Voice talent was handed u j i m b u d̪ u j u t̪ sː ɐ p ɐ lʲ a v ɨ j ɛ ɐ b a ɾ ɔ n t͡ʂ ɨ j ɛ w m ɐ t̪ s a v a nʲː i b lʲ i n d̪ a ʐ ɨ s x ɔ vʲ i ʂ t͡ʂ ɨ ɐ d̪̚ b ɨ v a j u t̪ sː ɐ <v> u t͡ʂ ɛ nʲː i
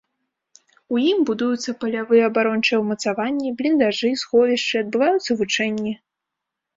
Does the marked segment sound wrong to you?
no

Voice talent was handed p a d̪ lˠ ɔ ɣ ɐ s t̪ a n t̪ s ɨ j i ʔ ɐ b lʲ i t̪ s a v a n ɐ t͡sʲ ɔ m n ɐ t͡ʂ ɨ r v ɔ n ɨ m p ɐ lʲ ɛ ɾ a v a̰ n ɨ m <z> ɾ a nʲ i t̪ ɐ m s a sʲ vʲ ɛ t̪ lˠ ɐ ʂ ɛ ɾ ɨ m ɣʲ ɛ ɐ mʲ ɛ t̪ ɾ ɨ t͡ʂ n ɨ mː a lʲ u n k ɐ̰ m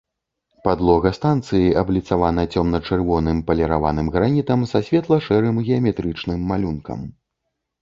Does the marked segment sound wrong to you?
yes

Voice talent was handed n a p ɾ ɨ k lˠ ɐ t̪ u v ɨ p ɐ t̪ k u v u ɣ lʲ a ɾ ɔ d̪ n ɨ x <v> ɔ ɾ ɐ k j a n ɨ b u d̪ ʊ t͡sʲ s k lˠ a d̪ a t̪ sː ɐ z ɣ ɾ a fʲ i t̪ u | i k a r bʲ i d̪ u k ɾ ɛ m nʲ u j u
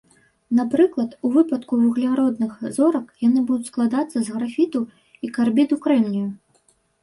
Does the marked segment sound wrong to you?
yes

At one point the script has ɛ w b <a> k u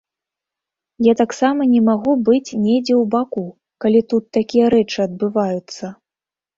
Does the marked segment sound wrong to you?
no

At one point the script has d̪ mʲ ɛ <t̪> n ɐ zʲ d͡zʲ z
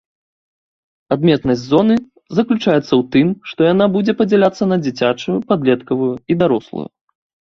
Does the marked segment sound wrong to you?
no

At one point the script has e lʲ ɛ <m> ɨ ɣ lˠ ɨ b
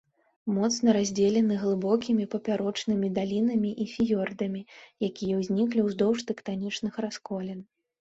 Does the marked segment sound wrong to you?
yes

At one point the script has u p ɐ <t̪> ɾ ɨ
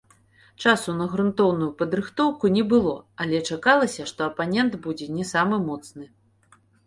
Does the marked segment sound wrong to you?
yes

